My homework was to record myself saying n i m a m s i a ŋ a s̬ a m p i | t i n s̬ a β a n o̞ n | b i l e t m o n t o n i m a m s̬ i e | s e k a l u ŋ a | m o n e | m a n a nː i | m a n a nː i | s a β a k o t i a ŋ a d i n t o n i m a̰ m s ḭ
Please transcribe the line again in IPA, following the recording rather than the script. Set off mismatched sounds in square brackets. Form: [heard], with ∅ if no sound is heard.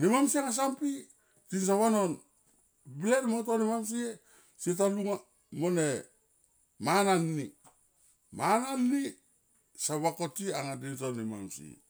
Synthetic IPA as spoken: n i m a m s i a ŋ a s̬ a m p i | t i n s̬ a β a n o̞ n | b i l e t m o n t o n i m a m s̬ i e | s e [t] a l u ŋ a | m o n e | m a n a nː i | m a n a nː i | s a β a k o t i a ŋ a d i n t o n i m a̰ m s ḭ